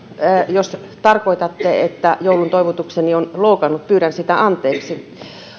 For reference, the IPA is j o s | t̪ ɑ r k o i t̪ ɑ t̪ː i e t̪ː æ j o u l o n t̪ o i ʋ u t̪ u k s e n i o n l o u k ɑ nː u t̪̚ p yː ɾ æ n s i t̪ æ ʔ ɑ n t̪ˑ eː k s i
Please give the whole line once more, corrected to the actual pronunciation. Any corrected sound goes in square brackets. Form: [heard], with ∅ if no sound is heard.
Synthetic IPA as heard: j o s | t̪ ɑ r k o i t̪ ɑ t̪ː [e] e t̪ː æ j o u l [u] n t̪ o i ʋ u t̪ u k s e n i o n l o u k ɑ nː u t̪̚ p yː ɾ æ n s i t̪ æ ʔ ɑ n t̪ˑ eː k s i